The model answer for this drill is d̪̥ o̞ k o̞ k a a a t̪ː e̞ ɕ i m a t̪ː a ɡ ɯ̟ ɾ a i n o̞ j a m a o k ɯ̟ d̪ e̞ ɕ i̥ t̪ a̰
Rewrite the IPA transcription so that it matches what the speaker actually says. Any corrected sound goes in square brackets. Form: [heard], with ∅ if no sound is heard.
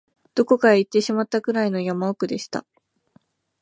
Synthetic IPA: d̪̥ o̞ k o̞ k a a [i] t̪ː e̞ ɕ i m a t̪ː a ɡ ɯ̟ ɾ a i n o̞ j a m a o k ɯ̟ d̪ e̞ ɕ i̥ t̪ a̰